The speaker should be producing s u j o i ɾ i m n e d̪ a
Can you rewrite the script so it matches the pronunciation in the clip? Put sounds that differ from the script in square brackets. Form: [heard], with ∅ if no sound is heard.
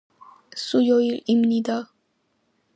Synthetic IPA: s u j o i [l] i m n [i] d̪ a